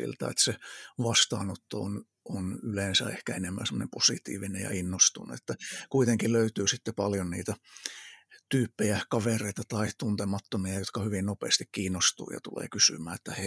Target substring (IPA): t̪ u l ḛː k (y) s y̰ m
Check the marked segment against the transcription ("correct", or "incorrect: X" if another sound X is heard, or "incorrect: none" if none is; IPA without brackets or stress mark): correct